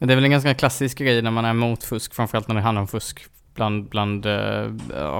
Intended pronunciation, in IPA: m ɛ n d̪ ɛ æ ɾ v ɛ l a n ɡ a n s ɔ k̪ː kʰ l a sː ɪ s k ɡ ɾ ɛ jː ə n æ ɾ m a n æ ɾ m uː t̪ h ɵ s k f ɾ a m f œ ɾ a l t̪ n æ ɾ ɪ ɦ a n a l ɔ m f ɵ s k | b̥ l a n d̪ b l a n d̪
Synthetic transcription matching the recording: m ɛ n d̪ ɛ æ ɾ v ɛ l ɛ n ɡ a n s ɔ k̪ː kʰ l a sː ɪ s k ɡ ɾ ɛ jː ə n æ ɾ m a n æ ɾ m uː t̪ f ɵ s k f ɾ a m f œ ɾ a l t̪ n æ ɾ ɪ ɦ a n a ɾ ɔ m f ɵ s k | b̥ l a n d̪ b l a n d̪